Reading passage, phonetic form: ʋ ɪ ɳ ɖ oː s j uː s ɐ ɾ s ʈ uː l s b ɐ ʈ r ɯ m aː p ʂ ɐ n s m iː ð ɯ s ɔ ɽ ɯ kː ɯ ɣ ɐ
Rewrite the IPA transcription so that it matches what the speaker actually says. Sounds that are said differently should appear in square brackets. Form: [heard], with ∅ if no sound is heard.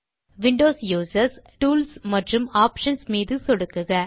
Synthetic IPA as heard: ʋ ɪ ɳ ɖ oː s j uː s ɐ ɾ s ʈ uː l s [m] ɐ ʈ r ɯ m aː p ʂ ɐ n s m iː ð ɯ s ɔ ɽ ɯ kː ɯ ɣ ɐ